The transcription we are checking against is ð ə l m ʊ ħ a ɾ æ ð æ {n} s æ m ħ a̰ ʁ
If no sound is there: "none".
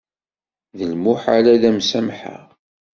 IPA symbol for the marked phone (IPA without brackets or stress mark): m